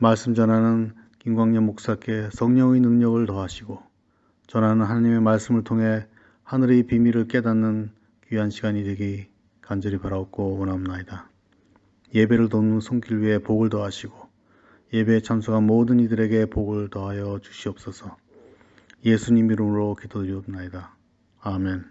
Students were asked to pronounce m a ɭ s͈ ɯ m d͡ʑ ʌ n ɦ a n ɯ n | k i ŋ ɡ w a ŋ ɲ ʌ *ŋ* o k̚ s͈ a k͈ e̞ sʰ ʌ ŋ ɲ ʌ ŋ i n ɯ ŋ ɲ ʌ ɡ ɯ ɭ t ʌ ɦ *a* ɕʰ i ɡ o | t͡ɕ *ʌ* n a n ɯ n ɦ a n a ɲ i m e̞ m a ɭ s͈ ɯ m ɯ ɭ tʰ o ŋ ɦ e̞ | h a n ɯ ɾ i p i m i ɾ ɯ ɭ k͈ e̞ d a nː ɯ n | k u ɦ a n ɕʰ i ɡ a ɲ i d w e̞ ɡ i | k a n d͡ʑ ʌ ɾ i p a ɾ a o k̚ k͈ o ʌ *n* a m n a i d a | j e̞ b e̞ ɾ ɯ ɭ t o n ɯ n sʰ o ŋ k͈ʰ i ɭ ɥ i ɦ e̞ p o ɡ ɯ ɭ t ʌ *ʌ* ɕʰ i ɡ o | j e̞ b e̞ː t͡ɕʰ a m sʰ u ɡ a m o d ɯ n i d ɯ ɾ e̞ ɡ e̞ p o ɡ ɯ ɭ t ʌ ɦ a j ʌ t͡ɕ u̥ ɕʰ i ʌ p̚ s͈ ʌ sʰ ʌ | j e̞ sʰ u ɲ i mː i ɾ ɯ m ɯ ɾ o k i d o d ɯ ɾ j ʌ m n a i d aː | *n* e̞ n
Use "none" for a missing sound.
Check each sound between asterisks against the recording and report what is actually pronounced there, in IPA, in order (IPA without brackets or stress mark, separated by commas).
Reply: m, a, ʌ, n, a, m